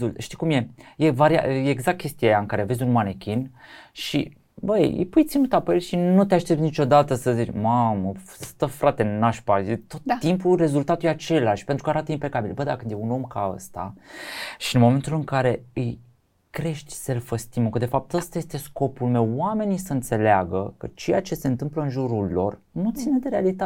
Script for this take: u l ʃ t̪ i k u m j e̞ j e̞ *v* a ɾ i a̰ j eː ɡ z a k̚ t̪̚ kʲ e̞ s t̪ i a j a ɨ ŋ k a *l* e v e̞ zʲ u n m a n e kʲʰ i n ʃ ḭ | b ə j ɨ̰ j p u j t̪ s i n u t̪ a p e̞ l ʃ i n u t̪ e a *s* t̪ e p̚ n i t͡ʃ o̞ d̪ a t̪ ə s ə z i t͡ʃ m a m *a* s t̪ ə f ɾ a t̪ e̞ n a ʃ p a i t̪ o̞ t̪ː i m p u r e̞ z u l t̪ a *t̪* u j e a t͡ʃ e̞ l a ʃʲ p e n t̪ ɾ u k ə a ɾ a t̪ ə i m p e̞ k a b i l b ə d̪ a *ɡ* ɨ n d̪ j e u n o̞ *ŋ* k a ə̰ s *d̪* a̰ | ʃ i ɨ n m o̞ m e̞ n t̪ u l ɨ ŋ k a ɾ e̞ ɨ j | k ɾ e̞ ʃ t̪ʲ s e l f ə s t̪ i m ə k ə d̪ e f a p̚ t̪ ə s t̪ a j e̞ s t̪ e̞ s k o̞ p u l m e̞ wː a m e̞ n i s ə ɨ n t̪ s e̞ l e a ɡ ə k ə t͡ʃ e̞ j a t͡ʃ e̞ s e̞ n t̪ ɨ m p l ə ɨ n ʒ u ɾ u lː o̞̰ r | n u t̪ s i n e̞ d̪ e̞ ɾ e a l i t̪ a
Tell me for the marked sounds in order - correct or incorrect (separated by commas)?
correct, incorrect, incorrect, incorrect, correct, incorrect, incorrect, incorrect